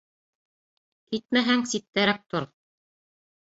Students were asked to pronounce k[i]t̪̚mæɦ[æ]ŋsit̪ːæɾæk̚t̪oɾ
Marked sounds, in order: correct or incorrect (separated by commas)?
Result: correct, correct